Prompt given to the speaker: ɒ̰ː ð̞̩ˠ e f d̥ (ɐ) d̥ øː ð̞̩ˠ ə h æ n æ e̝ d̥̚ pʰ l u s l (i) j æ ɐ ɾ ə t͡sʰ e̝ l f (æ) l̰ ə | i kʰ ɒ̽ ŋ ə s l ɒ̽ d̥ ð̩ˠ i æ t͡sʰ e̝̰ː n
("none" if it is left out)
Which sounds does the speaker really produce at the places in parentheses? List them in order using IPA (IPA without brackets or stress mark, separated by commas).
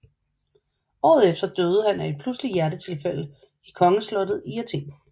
ɐ, i, e